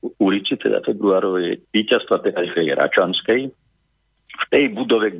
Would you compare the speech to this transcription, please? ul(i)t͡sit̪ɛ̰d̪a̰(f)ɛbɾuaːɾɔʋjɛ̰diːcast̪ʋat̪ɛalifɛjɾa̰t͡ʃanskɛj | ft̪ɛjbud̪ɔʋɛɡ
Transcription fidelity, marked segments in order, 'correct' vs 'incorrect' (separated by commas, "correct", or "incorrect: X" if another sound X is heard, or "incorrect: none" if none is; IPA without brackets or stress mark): correct, correct